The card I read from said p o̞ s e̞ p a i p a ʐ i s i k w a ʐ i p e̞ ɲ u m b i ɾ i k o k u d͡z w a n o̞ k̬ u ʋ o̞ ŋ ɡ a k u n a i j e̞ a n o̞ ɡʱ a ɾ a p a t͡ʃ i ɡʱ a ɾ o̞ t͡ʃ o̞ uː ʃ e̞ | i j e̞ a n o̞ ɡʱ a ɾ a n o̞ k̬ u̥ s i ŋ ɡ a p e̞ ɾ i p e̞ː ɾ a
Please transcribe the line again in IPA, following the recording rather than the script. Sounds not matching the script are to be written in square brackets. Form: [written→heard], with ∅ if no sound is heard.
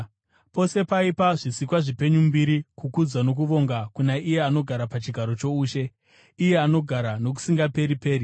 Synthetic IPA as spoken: p o̞ s e̞ p a i p a ʐ i s i k w a ʐ i p e̞ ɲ u m b i ɾ i k [o→u] k u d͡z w a n o̞ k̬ u ʋ o̞ ŋ ɡ a k u n a i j e̞ a n o̞ ɡʱ a ɾ a p a t͡ʃ i ɡʱ a ɾ o̞ t͡ʃ o̞ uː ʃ e̞ | i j e̞ a n o̞ ɡʱ a ɾ a n o̞ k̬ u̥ s i ŋ ɡ a p e̞ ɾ i p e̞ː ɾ [a→i]